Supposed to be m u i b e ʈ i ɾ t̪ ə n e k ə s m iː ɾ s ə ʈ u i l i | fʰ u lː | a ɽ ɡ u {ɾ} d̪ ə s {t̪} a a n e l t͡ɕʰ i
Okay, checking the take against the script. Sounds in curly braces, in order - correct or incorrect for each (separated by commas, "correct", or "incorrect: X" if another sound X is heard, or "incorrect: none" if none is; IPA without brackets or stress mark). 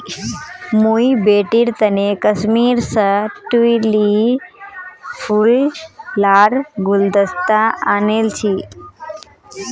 incorrect: l, correct